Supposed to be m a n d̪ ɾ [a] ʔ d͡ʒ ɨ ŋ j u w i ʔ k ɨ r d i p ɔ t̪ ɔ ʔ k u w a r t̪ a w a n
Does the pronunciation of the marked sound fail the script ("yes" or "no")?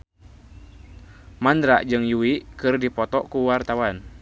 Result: no